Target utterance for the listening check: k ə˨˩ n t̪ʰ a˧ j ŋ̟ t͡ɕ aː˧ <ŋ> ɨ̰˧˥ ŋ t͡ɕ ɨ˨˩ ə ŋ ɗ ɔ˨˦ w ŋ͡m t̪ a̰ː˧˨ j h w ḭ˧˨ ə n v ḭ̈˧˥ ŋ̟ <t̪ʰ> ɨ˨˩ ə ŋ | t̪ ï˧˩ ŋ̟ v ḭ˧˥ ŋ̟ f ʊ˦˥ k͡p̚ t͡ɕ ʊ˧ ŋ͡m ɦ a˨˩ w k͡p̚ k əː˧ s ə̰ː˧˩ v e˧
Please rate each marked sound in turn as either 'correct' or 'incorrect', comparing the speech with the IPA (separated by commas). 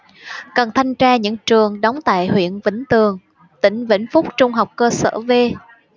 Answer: incorrect, incorrect